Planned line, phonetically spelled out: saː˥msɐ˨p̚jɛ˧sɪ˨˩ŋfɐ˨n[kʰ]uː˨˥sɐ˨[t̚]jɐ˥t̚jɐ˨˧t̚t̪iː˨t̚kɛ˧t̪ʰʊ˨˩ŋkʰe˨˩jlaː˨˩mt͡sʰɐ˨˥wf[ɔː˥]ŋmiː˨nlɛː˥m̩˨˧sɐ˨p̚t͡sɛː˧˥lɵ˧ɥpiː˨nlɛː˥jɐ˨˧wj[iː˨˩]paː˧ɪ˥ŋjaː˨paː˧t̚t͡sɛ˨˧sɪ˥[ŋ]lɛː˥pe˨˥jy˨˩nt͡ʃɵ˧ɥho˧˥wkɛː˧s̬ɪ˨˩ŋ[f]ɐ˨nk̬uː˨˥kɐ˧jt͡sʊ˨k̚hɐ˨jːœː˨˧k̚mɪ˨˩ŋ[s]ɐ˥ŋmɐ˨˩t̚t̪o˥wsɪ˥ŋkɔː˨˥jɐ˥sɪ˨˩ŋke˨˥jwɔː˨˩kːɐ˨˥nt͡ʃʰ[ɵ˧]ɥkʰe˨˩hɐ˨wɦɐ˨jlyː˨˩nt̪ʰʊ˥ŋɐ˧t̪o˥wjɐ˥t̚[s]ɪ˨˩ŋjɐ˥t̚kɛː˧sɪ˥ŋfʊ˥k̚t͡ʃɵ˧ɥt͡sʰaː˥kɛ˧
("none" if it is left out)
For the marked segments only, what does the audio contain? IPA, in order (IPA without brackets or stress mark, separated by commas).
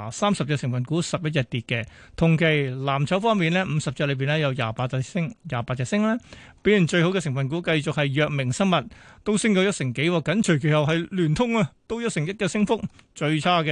k, p̚, ɔː˥, aː˨˩, ŋ, f, s, ɵ˨˩, s